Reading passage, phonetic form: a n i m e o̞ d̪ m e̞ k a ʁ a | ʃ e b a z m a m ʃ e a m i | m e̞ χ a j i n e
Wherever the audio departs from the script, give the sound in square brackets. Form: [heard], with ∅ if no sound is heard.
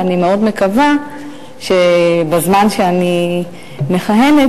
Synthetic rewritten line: a n i m e o̞ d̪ m e̞ k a [v] a | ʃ e b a z m a [n] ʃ e a [n] i | m e̞ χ a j [e] n e